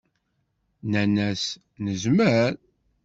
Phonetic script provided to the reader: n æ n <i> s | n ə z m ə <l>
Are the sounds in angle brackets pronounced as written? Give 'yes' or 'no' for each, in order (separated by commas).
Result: no, no